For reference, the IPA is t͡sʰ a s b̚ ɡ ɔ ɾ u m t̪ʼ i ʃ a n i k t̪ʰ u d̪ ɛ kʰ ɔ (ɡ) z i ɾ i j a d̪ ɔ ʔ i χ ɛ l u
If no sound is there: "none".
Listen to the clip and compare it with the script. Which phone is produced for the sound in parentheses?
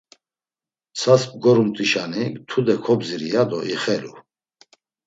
b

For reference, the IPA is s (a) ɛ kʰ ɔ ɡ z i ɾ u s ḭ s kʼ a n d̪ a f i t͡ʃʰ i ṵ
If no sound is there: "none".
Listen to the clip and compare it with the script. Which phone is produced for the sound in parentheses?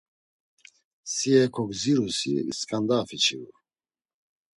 i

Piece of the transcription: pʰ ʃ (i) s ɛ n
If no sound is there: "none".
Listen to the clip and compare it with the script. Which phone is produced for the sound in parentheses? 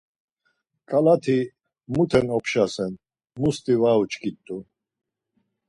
a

